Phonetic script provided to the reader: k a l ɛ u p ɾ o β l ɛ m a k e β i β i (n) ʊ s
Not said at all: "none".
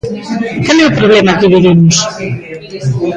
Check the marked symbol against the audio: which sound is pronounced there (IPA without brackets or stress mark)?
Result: m